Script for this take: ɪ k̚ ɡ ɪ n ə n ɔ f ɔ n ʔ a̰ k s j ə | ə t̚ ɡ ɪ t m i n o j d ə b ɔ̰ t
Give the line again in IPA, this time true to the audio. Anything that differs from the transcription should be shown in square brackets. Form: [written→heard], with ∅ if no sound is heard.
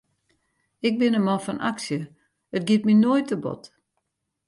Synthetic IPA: ɪ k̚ [ɡ→b] ɪ n ə [n→m] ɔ f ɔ n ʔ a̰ k s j ə | ə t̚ ɡ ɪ t m i n o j [d→t] ə b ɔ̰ t